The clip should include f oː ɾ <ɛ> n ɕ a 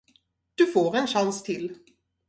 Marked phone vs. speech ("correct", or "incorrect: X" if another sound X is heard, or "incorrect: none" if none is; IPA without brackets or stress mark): correct